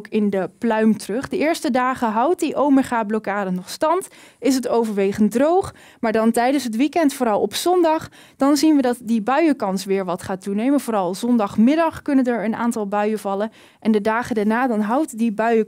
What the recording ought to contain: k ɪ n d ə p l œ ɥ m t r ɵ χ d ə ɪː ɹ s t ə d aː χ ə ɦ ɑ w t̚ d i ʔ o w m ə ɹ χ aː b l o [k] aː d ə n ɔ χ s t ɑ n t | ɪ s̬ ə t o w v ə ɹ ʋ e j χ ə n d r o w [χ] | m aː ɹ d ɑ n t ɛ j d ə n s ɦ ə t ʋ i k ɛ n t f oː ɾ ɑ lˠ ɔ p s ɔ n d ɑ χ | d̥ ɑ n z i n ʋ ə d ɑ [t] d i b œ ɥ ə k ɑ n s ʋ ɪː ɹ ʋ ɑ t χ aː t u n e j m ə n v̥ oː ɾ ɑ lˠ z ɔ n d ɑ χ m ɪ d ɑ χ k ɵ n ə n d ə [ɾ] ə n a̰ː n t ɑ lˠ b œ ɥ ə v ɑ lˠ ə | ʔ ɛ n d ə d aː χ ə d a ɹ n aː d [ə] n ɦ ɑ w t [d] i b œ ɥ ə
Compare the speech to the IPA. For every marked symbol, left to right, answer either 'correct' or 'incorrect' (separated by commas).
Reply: correct, correct, correct, incorrect, incorrect, correct